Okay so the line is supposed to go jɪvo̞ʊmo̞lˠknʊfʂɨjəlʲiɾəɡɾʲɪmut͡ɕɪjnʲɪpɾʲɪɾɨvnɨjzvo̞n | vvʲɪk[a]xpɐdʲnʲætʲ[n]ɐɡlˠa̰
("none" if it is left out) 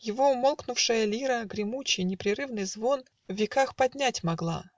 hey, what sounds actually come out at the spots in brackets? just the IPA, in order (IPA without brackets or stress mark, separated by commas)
a, m